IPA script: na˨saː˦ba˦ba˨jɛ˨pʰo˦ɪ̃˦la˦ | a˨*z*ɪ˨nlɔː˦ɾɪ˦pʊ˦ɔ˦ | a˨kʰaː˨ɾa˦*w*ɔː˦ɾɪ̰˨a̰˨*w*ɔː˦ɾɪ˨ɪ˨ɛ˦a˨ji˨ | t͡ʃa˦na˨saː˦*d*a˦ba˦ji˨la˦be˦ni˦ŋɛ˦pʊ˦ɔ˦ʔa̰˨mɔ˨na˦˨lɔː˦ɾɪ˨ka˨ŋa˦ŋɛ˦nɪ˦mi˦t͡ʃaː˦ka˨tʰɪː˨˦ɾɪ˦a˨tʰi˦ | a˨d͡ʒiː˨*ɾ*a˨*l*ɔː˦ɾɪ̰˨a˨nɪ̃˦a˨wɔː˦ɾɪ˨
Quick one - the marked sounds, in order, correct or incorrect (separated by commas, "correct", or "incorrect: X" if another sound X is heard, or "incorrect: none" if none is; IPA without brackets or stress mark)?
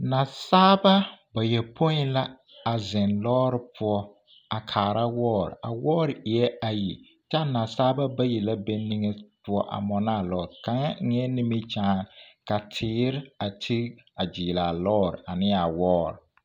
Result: correct, correct, correct, incorrect: b, incorrect: l, correct